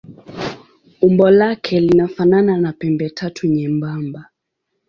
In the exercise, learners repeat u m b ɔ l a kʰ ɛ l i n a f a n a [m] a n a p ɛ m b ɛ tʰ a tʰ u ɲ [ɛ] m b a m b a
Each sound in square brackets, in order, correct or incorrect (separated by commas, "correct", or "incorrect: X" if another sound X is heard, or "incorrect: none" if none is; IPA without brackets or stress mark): incorrect: n, correct